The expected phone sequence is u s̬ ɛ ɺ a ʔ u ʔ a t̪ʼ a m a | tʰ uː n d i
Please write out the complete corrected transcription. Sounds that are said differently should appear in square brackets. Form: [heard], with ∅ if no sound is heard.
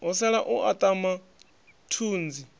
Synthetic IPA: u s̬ ɛ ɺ a ʔ u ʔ a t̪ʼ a m a | tʰ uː n [d͡z] i